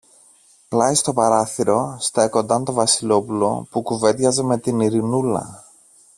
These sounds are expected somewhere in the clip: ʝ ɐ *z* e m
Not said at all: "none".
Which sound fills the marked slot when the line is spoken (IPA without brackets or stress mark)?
z